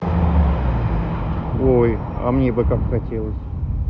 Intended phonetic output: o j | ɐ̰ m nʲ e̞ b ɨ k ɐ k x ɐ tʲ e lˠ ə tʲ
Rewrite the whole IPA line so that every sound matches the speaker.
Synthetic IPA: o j | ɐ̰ m nʲ e̞ b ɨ k a k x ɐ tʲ e lˠ ə sʲ

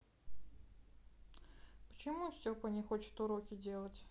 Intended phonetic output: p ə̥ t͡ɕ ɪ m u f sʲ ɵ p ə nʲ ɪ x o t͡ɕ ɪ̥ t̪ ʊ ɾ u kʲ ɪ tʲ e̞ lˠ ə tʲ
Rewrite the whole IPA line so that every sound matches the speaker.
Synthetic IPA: p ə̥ t͡ɕ ɪ m u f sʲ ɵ p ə nʲ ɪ x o t͡ɕ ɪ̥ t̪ ʊ ɾ o kʲ ɪ dʲ e̞ lˠ ə tʲ

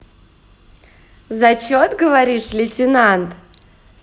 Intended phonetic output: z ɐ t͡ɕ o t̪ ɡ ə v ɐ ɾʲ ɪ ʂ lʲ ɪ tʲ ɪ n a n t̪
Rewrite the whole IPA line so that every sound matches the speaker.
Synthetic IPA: z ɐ t͡ɕ o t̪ ɡ ə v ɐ ɾʲ i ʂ lʲ ɪ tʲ ɪ n a n t̪

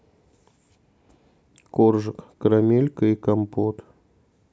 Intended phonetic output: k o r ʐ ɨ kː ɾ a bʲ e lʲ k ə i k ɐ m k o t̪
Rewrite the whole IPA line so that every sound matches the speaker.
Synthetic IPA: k o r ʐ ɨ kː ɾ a mʲ e lʲ k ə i k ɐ m p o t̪

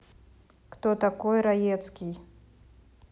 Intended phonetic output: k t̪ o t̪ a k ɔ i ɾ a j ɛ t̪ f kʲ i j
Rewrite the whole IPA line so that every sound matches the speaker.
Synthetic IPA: k t̪ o t̪ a k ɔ j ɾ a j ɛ t̪ s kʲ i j

